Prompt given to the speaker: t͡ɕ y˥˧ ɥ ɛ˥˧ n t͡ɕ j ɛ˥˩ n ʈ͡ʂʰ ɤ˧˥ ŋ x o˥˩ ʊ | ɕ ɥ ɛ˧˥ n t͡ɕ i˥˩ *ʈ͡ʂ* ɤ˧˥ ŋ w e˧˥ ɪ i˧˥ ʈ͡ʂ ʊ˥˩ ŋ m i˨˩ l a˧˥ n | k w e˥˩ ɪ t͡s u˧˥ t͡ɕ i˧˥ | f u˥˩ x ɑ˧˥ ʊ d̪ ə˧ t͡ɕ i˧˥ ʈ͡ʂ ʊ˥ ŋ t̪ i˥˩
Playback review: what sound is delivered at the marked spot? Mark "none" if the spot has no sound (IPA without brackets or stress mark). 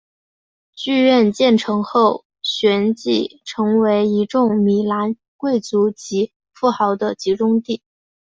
ʈ͡ʂʰ